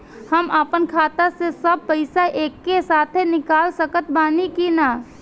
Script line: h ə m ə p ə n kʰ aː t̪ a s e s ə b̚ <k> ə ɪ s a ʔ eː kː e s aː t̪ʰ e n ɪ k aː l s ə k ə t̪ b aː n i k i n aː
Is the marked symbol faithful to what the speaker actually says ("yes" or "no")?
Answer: no